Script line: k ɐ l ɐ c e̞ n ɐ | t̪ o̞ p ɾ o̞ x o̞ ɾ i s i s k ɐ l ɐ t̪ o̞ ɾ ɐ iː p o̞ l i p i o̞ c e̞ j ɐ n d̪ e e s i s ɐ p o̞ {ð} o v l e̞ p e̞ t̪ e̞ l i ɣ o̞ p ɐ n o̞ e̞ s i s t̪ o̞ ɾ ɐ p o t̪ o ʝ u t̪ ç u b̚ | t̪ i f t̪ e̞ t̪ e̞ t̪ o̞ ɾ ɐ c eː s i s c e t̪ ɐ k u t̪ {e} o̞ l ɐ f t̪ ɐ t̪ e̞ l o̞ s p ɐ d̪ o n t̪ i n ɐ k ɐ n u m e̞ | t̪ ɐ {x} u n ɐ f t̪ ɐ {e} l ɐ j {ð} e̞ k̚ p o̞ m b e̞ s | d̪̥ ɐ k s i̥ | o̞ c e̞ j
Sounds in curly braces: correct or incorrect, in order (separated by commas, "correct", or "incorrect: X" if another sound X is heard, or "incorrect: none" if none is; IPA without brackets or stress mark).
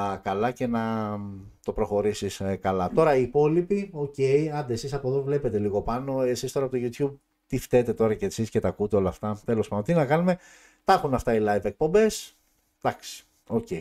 correct, correct, correct, incorrect: i, incorrect: v